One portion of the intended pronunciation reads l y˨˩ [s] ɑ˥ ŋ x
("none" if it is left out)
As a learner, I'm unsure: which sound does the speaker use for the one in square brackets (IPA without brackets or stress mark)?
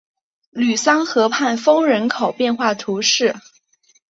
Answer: s